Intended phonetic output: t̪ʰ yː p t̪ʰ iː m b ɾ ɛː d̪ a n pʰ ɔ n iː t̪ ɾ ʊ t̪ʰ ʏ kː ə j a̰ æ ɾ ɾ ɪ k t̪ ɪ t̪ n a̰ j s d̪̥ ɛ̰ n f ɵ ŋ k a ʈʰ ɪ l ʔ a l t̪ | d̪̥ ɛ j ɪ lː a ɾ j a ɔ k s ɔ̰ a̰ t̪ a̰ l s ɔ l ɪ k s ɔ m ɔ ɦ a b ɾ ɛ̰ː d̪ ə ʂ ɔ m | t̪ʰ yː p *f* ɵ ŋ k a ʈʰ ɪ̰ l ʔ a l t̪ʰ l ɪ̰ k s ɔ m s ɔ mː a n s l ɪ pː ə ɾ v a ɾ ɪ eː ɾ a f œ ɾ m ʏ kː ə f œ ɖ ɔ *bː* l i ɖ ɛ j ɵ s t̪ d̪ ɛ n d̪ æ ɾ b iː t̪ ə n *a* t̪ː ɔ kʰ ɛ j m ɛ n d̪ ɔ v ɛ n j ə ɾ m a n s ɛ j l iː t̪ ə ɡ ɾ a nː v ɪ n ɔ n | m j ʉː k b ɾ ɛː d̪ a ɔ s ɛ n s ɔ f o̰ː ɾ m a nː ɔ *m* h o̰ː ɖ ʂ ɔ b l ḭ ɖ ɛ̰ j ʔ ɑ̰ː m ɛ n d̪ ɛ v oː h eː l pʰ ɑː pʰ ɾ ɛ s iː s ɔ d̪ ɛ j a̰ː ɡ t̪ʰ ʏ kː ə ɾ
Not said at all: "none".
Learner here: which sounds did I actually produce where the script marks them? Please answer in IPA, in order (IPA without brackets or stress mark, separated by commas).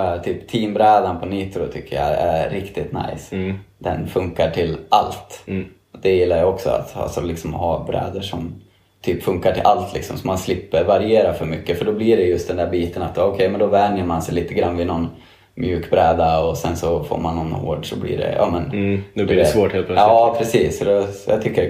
f, b, a, n